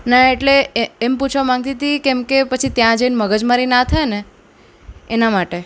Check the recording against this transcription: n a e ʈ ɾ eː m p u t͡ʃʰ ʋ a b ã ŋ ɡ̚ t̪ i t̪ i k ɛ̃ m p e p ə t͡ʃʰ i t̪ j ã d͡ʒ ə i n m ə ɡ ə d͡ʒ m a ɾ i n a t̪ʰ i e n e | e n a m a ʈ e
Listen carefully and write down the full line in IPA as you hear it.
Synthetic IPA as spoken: n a e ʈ l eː m p u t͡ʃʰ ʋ a m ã ŋ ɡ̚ t̪ i t̪ i k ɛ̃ m k e p ə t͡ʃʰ i t̪ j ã d͡ʒ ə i n m ə ɡ ə d͡ʒ m a ɾ i n a t̪ʰ a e n e | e n a m a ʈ e

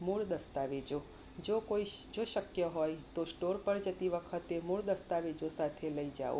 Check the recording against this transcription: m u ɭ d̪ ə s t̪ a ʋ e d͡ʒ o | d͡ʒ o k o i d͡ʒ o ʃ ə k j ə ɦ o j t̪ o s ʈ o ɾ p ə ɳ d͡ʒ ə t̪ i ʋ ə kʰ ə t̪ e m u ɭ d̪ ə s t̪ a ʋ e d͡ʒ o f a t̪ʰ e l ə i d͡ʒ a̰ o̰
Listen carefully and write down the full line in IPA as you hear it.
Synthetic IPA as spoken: m u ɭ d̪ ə s t̪ a ʋ e d͡ʒ o | d͡ʒ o k o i d͡ʒ o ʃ ə k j ə ɦ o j t̪ o s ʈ o ɾ p ə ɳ d͡ʒ ə t̪ i ʋ ə kʰ ə t̪ e m u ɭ d̪ ə s t̪ a ʋ e d͡ʒ o s a t̪ʰ e l ə i d͡ʒ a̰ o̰

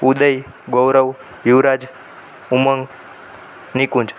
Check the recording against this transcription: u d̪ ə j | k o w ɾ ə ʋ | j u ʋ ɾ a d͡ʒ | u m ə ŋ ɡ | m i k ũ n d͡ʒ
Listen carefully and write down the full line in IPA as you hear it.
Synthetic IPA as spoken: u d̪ ə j | ɡ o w ɾ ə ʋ | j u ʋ ɾ a d͡ʒ | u m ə ŋ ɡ | n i k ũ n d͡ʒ

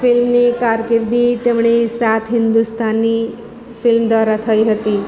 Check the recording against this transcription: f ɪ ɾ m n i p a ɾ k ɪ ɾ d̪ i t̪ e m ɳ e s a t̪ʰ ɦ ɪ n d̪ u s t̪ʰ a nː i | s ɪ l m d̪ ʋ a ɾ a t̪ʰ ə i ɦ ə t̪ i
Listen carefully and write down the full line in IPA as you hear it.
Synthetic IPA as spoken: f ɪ l m n i k a ɾ k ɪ ɾ d̪ i t̪ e m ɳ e s a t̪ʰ ɦ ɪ n d̪ u s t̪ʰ a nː i | f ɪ l m d̪ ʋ a ɾ a t̪ʰ ə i ɦ ə t̪ i

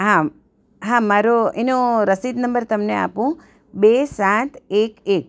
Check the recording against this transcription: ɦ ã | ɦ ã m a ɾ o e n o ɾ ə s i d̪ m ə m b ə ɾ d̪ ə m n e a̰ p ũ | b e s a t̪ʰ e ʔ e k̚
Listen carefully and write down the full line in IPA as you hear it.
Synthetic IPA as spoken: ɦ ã | ɦ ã m a ɾ o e n o ɾ ə s i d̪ n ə m b ə ɾ t̪ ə m n e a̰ p ũ | b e s a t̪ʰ e k e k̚

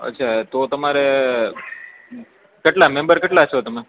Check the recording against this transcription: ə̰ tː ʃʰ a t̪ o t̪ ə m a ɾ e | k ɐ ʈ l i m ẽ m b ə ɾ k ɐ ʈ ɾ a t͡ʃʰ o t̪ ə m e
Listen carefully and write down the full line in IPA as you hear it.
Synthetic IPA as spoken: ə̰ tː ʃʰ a t̪ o t̪ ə m a ɾ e | k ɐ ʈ l a m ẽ m b ə ɾ k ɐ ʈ l a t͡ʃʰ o t̪ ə m e

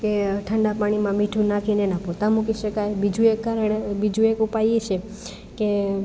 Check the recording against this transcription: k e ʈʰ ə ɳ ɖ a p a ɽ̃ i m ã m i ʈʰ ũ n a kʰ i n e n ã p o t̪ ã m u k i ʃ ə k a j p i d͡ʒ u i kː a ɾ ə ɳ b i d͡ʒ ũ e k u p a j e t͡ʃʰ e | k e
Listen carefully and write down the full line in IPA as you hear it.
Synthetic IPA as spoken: k e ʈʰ ə ɳ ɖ a p a ɽ̃ i m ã m i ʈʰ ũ n a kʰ i n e n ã p o t̪ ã m u k i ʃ ə k a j b i d͡ʒ u e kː a ɾ ə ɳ b i d͡ʒ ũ e k u p a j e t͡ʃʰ e | k e

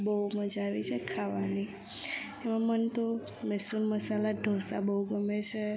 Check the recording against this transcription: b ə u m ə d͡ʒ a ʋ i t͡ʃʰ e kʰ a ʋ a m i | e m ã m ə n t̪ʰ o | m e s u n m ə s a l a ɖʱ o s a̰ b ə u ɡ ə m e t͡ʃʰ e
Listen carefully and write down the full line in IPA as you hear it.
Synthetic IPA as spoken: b ə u m ə d͡ʒ a ʋ i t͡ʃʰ e kʰ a ʋ a n i | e m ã m ə n t̪ o | m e s u n m ə s a l a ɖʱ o s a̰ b ə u ɡ ə m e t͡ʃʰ e

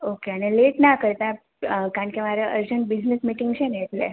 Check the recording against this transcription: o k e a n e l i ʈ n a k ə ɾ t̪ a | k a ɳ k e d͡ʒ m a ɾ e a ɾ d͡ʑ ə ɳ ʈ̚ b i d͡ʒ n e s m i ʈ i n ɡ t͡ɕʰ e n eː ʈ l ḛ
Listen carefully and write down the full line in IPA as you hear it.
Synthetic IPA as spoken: o k e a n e l e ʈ n a k ə ɾ t̪ a | k a ɳ k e m a ɾ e ə ɾ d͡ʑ ə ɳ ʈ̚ b i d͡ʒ n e s m i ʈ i ŋ ɡ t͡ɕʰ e n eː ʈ l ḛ

